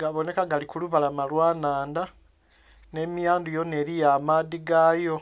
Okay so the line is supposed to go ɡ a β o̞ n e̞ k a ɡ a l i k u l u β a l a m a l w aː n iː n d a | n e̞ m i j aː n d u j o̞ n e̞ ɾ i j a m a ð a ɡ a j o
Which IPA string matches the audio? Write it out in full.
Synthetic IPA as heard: ɡ a β o̞ n e̞ k a ɡ a l i k u l u β a l a m a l w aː n aː n d a | n e̞ m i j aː n d u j o̞ n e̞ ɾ i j a m a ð i ɡ a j o

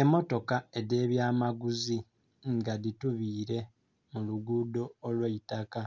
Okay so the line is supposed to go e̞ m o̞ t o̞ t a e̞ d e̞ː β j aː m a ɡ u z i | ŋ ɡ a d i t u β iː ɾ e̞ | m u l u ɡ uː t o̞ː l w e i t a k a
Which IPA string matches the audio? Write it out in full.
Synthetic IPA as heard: e̞ m o̞ t o̞ k a e̞ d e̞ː β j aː m a ɡ u z i | ŋ ɡ a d i t u β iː ɾ e̞ | m u l u ɡ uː d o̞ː l w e i t a k a

